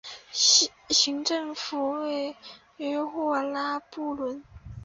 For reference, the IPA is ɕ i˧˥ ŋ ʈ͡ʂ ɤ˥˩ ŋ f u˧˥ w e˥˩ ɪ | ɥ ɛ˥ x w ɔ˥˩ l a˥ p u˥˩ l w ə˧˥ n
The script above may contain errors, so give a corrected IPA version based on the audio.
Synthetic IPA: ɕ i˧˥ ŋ ʈ͡ʂ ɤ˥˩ ŋ f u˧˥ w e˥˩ ɪ | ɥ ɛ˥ x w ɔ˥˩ l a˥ p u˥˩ l w ə˧˥ n